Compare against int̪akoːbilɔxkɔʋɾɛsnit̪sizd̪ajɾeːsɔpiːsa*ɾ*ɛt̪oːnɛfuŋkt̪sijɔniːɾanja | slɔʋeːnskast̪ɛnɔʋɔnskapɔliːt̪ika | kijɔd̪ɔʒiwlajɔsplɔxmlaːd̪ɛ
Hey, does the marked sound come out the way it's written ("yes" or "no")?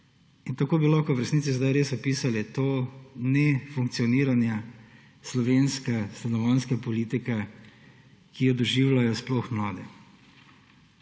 no